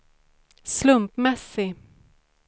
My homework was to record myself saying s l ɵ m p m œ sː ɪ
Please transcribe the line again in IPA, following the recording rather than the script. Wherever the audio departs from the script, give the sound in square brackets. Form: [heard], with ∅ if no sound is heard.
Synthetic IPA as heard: s l ɵ m p m [ɛ] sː ɪ